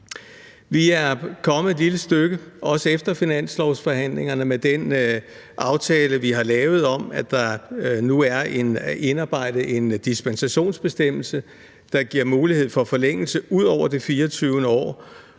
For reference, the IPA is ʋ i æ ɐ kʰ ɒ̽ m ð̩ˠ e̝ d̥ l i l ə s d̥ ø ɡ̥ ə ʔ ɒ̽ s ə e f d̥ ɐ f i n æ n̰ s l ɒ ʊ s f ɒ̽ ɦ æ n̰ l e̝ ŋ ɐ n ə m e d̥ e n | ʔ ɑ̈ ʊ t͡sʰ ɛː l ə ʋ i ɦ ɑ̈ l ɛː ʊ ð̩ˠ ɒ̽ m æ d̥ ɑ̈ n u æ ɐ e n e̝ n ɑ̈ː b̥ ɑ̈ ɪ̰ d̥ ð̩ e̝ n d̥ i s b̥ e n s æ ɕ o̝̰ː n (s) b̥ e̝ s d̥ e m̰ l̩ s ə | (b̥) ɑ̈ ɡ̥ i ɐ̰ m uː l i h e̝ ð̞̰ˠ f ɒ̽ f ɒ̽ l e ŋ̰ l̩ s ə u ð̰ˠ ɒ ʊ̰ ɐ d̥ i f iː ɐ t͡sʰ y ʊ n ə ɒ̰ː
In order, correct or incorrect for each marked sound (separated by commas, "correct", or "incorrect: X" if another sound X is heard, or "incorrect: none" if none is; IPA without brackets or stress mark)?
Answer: correct, incorrect: d̥